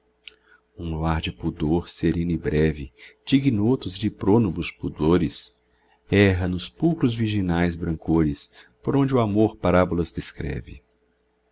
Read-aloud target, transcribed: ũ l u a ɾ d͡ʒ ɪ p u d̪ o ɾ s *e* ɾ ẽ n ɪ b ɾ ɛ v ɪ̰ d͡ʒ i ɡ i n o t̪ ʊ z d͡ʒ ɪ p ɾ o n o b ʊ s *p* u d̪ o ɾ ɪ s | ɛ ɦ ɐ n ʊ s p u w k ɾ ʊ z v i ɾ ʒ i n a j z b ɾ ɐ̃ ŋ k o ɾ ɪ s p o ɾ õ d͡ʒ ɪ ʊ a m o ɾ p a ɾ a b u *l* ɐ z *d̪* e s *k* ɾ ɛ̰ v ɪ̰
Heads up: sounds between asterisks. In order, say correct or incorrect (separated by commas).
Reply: correct, correct, correct, correct, correct